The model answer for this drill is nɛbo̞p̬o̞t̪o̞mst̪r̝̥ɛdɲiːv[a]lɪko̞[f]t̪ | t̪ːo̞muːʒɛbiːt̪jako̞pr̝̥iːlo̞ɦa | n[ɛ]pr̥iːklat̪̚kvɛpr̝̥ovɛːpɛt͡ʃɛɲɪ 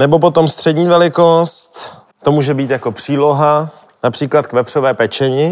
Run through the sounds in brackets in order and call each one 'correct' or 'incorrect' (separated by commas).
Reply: incorrect, incorrect, incorrect